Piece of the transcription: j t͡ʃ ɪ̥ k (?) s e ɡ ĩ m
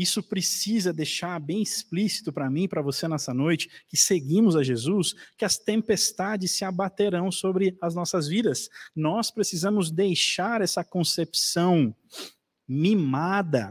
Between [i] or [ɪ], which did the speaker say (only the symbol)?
ɪ